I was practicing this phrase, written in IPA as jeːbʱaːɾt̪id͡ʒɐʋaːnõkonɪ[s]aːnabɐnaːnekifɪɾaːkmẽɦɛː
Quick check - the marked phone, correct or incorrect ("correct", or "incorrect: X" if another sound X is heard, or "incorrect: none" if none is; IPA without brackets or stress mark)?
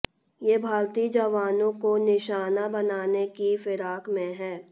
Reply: incorrect: ʃ